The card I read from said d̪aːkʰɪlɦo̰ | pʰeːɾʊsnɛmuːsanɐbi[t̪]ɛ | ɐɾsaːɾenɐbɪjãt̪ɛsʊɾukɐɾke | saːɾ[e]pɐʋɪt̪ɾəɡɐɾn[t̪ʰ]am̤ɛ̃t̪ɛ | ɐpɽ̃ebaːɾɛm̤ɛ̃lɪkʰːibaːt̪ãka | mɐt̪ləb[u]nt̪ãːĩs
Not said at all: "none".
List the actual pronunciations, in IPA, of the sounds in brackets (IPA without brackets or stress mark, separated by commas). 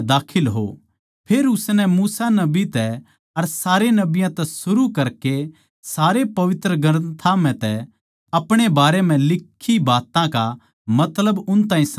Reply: t̪, e, t̪ʰ, ʊ